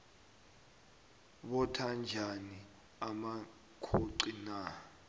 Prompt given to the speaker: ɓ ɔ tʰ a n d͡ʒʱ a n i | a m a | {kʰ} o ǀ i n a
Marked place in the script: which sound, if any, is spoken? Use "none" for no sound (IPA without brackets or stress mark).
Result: kʰ